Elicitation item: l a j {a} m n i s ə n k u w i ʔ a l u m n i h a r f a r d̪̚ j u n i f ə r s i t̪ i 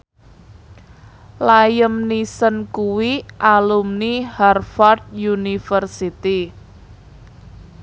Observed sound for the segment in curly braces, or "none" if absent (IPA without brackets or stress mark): ə